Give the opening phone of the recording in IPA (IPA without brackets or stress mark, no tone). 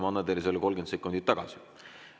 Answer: m